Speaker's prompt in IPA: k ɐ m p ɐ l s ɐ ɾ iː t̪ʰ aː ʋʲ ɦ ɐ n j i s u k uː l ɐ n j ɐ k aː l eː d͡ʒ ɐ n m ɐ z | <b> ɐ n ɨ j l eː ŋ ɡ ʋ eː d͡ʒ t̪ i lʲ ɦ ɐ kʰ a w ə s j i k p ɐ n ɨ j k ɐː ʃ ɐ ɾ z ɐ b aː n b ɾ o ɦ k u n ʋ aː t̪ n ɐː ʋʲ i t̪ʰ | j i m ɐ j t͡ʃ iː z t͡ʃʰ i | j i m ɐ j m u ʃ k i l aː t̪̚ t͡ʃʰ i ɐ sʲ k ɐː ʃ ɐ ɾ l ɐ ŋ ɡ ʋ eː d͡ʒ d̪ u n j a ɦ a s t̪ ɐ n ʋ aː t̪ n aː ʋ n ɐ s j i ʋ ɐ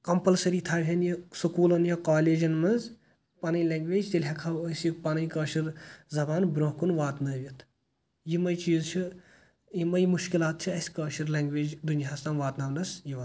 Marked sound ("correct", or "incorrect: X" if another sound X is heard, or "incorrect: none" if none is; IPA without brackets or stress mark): incorrect: p